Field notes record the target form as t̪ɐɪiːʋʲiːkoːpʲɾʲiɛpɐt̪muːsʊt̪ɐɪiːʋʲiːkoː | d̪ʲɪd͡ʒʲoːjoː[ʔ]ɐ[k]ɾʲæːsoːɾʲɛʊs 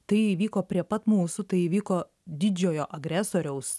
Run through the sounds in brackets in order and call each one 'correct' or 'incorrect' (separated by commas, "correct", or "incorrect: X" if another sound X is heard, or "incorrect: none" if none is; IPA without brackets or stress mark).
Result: correct, incorrect: ɡ